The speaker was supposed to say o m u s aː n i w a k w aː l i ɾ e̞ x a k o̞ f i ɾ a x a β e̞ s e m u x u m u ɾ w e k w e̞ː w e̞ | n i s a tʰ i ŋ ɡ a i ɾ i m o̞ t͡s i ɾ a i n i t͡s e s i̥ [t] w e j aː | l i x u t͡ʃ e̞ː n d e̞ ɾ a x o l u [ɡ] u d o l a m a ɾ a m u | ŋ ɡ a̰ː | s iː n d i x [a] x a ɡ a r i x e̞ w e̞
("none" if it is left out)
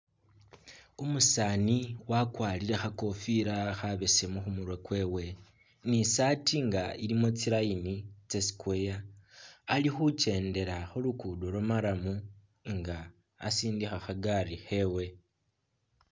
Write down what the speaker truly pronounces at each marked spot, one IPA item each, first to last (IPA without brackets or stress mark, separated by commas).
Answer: k, k, a